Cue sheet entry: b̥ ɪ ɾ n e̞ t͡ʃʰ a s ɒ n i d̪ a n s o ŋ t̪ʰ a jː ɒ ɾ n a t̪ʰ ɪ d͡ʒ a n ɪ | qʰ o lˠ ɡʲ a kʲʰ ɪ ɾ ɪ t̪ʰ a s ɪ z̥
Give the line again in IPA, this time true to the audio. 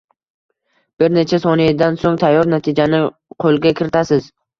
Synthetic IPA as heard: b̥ ɪ ɾ n e̞ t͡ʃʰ a s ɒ n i d̪ a n s o ŋ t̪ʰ a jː ɒ ɾ n a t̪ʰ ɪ d͡ʒ a n ɪ | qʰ o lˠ ɡʲ a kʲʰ ɪ ɾ ɪ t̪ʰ a s ɪ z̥